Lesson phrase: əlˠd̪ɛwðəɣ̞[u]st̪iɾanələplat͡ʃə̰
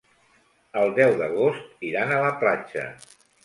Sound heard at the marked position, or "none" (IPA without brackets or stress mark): o